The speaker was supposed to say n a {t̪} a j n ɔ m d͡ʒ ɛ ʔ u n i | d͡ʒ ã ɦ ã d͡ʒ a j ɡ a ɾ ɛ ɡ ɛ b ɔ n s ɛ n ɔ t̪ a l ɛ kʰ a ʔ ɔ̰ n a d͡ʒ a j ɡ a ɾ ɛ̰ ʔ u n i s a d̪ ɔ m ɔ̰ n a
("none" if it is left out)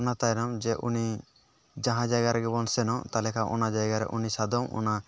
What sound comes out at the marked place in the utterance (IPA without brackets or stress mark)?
t̪